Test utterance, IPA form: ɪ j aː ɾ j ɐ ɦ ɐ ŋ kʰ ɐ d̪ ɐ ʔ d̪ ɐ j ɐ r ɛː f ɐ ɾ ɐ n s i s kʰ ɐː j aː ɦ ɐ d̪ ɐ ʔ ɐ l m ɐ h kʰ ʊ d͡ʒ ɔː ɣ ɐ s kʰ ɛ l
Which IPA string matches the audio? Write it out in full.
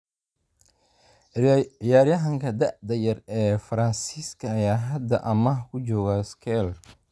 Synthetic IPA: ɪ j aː ɾ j ɐ ɦ ɐ ŋ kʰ ɐ d̪ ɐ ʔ d̪ ɐ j ɐ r ɛː f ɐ ɾ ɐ n s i s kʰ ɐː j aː ɦ ɐ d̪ ɐ ʔ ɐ m ɐ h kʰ ʊ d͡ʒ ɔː ɣ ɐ s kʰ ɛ l